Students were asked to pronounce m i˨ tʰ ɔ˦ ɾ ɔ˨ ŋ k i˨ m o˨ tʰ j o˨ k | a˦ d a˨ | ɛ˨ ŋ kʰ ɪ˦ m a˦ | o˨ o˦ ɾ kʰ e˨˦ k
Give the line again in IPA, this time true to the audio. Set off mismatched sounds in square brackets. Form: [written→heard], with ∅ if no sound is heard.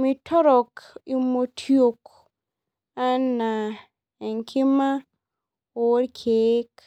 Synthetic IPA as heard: m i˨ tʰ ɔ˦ ɾ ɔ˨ [ŋ→∅] k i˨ m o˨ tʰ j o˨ k | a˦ [d→n] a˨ | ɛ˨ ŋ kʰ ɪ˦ m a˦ | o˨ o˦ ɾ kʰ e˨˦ k

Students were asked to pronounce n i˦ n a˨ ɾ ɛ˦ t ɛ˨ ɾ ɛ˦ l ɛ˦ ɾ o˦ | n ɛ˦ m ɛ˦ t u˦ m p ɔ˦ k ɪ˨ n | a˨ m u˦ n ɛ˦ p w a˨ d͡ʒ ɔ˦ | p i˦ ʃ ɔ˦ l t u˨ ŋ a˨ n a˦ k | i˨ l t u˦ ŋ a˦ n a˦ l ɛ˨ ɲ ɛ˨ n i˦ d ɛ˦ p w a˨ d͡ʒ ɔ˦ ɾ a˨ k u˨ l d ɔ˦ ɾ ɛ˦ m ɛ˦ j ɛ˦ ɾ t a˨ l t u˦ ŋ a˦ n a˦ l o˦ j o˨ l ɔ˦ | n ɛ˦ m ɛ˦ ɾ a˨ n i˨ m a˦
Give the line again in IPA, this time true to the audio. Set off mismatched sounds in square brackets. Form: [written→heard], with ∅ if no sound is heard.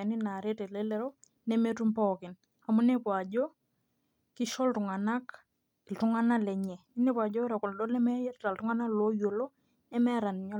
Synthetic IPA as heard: n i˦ n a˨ ɾ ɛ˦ t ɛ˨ [ɾ→l] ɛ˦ l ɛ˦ ɾ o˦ | n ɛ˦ m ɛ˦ t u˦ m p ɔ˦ k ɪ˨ n | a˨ m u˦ n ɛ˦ p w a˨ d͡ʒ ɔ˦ | [p→k] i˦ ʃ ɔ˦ l t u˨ ŋ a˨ n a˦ k | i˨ l t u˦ ŋ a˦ n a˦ l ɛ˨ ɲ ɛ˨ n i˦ [d→n] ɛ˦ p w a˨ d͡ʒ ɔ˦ ɾ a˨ k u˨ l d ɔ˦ [ɾ→l] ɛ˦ m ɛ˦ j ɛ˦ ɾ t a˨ l t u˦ ŋ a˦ n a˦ l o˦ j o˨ l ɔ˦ | n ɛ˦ m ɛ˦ ɾ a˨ n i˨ [m→ɲ] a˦

